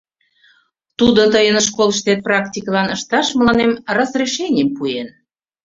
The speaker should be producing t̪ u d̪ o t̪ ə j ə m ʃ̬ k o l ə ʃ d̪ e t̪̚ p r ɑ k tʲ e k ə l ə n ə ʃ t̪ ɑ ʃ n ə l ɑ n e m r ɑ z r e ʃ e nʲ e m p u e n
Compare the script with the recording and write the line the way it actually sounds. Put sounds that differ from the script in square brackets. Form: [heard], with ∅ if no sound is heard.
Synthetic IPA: t̪ u d̪ o t̪ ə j ə [n] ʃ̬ k o l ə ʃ [t̪] e t̪̚ p r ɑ k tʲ [i] k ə l [ɑ] n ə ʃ t̪ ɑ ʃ [m] ə l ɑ n e m r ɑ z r e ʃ e nʲ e m p u e n